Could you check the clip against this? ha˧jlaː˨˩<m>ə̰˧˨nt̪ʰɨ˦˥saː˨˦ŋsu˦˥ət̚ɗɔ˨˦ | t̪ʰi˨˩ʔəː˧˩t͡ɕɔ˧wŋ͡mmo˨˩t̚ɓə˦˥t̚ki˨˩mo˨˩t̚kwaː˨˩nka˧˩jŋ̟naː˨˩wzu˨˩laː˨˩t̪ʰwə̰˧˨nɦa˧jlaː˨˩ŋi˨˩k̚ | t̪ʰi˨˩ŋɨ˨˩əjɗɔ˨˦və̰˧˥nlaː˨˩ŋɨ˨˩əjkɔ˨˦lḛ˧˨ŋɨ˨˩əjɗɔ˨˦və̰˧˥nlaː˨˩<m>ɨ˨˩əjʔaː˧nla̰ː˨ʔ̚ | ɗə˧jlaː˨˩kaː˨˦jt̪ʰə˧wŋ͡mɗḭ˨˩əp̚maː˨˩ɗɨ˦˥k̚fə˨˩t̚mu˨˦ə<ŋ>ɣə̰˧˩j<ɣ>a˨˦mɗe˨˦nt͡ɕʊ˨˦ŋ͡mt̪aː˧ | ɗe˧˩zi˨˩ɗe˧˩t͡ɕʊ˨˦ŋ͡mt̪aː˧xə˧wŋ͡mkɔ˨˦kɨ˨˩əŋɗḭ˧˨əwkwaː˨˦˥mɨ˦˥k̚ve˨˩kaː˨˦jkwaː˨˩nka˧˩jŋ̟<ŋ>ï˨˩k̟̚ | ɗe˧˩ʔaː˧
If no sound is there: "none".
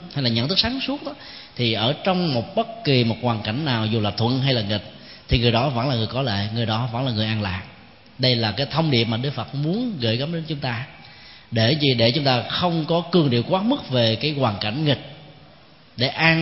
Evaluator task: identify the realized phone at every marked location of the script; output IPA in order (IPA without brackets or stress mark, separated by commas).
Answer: ɲ, ŋ, n, ɣ, ŋ